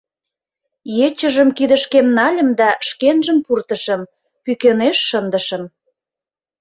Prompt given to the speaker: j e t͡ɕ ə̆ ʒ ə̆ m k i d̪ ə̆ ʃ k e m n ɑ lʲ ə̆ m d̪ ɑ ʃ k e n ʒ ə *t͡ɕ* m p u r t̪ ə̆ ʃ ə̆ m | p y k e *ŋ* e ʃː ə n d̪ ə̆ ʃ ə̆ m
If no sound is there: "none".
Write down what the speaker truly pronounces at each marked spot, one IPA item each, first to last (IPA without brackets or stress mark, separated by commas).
none, n